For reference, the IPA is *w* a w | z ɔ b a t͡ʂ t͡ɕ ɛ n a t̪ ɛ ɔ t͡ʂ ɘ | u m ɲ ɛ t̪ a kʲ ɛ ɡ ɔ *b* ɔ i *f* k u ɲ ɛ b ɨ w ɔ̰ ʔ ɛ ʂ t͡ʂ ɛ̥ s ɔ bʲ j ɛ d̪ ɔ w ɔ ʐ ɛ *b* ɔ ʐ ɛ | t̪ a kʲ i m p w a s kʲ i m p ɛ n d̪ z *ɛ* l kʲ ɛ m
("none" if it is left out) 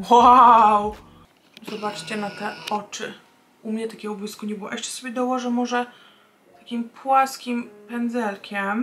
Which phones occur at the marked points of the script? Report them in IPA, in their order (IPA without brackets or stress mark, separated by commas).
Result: w, b, s, m, ɛ